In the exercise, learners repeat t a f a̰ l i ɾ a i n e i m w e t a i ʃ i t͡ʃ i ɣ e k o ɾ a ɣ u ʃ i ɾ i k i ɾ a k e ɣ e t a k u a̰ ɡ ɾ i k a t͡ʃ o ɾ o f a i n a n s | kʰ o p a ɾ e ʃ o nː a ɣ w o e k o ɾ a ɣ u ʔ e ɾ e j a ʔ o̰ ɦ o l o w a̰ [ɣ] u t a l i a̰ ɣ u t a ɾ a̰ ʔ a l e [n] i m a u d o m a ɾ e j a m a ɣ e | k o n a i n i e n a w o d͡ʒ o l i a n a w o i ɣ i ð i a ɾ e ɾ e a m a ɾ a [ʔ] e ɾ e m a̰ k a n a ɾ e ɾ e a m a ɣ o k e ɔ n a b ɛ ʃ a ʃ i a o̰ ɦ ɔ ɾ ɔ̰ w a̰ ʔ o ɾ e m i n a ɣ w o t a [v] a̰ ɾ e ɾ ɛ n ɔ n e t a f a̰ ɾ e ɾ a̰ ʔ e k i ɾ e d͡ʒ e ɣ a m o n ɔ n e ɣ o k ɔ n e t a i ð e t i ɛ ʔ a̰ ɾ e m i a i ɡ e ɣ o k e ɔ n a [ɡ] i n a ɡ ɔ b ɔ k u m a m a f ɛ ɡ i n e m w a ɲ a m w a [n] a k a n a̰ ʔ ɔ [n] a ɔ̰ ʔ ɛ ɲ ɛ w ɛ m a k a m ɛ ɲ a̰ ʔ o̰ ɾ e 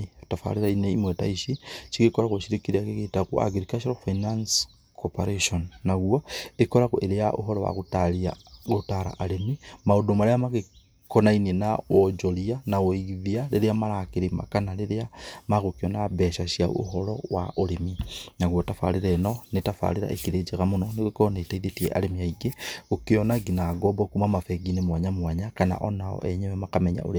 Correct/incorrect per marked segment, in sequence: correct, incorrect: m, incorrect: k, incorrect: f, correct, incorrect: ɲ, correct

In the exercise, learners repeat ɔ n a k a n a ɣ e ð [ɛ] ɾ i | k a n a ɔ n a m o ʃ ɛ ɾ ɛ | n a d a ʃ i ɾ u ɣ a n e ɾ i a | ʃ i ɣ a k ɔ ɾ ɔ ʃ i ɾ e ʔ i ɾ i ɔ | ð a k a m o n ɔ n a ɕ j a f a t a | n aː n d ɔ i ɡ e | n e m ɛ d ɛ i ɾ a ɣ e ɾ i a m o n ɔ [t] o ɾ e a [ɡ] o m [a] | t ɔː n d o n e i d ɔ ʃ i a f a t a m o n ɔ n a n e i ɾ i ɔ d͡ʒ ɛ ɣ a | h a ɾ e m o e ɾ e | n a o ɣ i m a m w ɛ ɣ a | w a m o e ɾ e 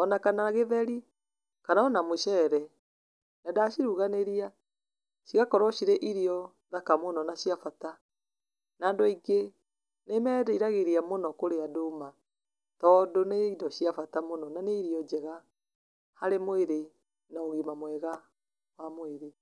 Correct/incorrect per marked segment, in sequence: correct, incorrect: k, incorrect: d, correct

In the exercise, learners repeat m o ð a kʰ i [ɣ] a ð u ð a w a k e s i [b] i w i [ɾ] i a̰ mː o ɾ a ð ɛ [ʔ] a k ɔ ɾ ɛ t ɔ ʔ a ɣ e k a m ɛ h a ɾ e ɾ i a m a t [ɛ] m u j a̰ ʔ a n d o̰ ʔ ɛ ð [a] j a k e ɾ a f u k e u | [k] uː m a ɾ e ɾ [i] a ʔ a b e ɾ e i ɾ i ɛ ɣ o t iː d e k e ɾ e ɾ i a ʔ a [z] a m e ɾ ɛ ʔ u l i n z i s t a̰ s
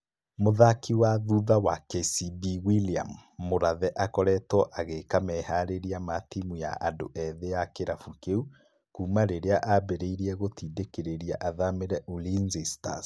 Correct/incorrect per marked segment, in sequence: incorrect: w, correct, incorrect: l, correct, incorrect: i, incorrect: e, correct, incorrect: e, incorrect: ð

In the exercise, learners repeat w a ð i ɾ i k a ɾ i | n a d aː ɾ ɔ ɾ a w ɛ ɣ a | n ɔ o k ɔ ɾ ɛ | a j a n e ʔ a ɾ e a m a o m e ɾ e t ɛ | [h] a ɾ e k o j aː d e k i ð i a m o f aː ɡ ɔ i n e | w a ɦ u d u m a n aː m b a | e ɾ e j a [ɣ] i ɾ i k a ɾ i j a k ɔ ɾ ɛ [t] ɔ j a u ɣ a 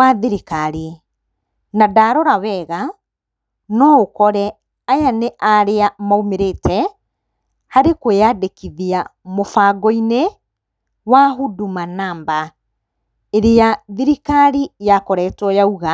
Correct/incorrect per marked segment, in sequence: correct, incorrect: ð, correct

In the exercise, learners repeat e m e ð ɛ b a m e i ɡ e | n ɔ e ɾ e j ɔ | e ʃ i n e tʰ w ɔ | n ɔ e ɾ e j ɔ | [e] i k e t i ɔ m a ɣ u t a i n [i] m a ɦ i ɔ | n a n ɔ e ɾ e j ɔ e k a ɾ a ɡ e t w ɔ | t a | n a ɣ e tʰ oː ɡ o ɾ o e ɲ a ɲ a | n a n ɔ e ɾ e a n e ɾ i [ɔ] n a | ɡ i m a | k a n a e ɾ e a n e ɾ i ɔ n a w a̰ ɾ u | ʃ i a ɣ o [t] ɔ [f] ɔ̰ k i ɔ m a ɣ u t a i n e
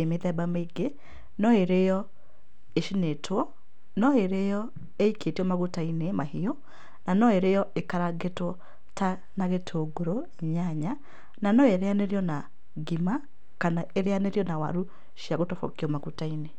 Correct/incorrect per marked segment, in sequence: correct, incorrect: e, correct, correct, correct

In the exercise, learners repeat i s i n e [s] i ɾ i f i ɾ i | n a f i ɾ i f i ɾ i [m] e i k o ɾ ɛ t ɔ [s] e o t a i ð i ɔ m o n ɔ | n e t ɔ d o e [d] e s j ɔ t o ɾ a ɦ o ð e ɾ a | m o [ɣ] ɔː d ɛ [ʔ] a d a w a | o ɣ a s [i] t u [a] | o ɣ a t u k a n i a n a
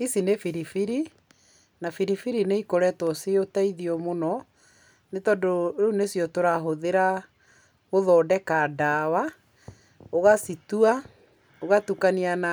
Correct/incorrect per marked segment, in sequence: incorrect: f, incorrect: n, correct, incorrect: n, incorrect: ð, incorrect: k, correct, correct

